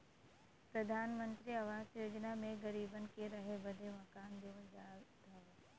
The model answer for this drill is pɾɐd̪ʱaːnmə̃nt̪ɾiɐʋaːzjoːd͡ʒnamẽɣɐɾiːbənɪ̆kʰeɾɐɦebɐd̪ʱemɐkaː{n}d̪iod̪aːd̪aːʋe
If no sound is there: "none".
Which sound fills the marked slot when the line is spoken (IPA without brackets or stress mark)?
n